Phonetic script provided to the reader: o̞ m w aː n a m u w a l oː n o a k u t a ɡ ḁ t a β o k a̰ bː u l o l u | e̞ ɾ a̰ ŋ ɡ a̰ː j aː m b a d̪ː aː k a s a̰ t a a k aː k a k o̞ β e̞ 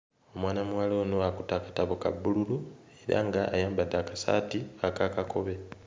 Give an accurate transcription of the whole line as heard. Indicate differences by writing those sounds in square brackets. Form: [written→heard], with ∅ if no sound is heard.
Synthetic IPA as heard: o̞ m w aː n a m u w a l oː n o a k u t a [ɡ→k] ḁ t a β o k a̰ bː u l [o→u] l u | e̞ ɾ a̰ ŋ ɡ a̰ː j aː m b a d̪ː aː k a s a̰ t [a→i] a k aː k a k o̞ β e̞